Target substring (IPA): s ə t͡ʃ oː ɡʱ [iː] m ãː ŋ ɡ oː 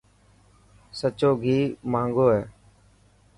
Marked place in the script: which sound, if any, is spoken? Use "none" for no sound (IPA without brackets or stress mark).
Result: iː